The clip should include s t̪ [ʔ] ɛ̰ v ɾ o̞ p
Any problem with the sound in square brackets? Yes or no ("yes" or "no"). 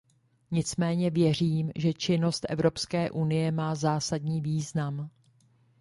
no